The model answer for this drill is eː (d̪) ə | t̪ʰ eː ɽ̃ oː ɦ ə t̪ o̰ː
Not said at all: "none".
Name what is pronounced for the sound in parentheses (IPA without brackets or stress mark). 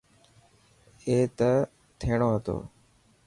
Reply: t̪